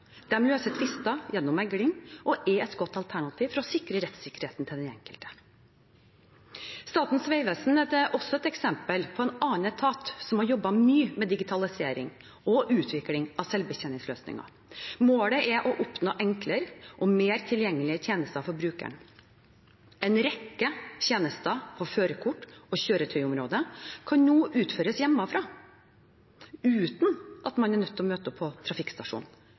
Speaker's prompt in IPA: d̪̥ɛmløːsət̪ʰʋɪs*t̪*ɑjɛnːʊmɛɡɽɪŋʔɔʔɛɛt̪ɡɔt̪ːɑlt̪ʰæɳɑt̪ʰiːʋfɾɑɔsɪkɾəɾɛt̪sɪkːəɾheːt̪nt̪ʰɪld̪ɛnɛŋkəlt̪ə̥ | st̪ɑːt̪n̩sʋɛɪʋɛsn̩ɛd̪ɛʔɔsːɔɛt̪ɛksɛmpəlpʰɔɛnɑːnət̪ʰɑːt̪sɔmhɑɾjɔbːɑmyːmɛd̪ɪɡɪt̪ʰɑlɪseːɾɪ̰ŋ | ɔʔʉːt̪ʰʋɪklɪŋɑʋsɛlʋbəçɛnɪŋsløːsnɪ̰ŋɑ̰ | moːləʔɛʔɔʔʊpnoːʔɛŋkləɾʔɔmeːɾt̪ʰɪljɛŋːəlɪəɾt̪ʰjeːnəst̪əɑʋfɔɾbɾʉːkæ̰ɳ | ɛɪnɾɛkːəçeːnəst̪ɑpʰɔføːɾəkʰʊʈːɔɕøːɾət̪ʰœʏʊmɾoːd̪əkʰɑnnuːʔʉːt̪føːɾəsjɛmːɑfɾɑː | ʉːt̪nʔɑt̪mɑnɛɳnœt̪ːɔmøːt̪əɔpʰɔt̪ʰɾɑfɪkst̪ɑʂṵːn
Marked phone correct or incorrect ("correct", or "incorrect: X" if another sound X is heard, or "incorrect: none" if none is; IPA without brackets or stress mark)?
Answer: correct